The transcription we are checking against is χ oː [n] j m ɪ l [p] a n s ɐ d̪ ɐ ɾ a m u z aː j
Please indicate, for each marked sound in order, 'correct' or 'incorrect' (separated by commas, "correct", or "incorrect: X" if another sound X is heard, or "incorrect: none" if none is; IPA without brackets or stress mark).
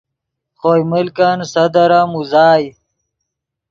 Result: incorrect: none, incorrect: k